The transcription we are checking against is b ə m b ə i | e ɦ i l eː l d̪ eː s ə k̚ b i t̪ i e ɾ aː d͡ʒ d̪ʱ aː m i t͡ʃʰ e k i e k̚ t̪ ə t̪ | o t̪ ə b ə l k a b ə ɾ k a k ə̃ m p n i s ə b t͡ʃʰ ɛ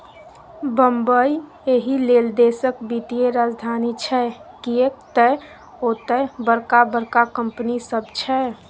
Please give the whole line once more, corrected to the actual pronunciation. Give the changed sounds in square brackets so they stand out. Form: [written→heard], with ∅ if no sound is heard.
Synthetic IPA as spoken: b ə m b ə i | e ɦ i l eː l d̪ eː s ə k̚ b i t̪ i e ɾ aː d͡ʒ d̪ʱ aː [m→n] i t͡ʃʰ [e→ɛ] k i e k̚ t̪ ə [t̪→∅] | o t̪ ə b ə [l→ɾ] k a b ə ɾ k a k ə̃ m p n i s ə b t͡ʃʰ ɛ